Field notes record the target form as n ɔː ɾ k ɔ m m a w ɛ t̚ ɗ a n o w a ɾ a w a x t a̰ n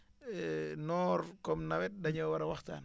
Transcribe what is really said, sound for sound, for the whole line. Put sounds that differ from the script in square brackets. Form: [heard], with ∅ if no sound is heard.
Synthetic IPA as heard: n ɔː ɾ k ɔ m [n] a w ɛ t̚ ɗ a [ɲ] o w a ɾ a w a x t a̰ n